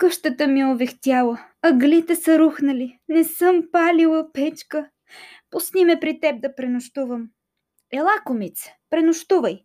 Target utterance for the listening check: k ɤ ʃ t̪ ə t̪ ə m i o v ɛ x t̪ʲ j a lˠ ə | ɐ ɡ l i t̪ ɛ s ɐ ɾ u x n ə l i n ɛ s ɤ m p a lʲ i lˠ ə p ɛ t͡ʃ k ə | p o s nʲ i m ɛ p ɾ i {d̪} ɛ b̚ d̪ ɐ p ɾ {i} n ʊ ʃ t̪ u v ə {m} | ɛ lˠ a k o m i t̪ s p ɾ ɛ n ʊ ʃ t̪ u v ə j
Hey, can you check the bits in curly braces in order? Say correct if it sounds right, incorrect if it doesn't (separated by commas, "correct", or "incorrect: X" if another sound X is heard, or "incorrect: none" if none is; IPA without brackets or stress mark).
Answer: incorrect: t̪, incorrect: ɛ, correct